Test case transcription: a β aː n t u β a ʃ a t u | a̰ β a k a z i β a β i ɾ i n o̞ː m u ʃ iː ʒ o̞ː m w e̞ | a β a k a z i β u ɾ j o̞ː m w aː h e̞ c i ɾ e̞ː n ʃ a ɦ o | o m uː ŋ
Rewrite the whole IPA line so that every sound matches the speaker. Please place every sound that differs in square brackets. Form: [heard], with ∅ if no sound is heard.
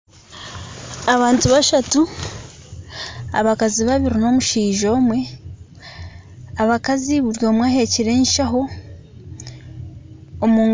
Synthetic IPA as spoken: a β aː n t u β a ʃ a t u | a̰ β a k a z i β a β i ɾ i n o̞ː m u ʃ iː ʒ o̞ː m w e̞ | a β a k a z i β u ɾ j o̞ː m w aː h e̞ c i ɾ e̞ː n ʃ a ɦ o | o m uː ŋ